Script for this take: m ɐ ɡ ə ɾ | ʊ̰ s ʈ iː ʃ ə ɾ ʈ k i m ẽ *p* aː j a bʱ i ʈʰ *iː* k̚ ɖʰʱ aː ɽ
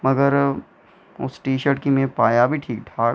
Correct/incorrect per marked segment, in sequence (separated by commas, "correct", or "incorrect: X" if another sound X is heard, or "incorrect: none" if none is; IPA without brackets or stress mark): correct, correct